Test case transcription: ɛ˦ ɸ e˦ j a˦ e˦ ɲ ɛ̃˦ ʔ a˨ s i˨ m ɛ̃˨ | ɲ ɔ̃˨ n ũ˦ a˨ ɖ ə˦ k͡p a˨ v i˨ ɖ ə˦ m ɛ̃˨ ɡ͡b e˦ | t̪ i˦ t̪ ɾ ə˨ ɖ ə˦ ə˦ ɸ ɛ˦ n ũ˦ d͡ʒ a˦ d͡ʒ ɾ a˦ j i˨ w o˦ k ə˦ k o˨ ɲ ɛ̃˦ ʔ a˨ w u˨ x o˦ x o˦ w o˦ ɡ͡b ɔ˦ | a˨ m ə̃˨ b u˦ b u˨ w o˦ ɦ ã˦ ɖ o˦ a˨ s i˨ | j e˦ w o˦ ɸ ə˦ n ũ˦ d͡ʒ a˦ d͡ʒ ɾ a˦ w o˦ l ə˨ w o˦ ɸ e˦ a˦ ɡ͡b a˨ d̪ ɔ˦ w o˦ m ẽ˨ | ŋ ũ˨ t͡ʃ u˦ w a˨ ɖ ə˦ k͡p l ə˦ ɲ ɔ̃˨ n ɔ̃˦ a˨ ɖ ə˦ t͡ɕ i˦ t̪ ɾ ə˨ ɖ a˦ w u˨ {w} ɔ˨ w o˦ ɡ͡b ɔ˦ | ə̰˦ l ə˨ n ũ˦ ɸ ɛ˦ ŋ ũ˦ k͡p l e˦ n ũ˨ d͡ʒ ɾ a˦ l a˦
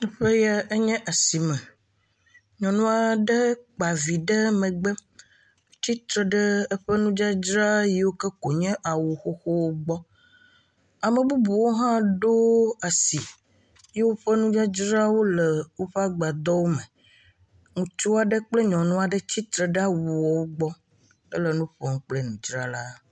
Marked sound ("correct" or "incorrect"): correct